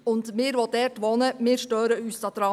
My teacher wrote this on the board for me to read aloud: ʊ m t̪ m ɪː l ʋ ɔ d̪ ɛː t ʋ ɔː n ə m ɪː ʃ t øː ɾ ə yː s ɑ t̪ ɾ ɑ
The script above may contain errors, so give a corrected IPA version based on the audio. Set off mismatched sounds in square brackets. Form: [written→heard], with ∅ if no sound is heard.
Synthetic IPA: ʊ [m→n] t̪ m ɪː [l→ɾ] ʋ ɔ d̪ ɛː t ʋ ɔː n ə m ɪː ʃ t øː ɾ ə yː s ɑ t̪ ɾ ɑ